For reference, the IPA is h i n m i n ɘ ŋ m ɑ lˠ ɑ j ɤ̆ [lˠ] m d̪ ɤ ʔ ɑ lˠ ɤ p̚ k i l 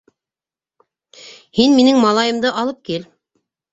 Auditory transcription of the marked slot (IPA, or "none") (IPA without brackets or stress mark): none